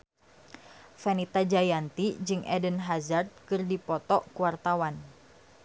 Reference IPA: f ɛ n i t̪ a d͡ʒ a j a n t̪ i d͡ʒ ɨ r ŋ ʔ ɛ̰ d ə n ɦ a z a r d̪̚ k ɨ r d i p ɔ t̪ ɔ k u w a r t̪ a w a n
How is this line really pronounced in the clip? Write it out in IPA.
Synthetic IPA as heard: f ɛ n i t̪ a d͡ʒ a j a n t̪ i d͡ʒ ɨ ŋ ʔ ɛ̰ d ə n ɦ a z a r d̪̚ k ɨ r d i p ɔ t̪ ɔ k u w a r t̪ a w a n